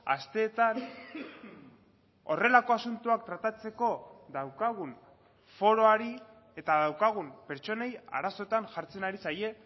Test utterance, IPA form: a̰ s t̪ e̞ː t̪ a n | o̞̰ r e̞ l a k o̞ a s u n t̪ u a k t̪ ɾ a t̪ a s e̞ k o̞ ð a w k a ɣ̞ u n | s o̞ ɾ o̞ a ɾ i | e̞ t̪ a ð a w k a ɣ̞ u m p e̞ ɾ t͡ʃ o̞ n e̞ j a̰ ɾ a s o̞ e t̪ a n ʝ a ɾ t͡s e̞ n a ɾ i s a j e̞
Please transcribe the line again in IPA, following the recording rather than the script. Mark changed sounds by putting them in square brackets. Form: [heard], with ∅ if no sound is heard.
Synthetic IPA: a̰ s t̪ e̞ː t̪ a n | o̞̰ r e̞ l a k o̞ a s u n t̪ u a k t̪ ɾ a t̪ a [t͡s] e̞ k o̞ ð a w k a ɣ̞ u n | [f] o̞ ɾ o̞ a ɾ i | e̞ t̪ a ð a w k a ɣ̞ u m p e̞ ɾ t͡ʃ o̞ n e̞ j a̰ ɾ a s o̞ e t̪ a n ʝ a ɾ t͡s e̞ n a ɾ i s a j e̞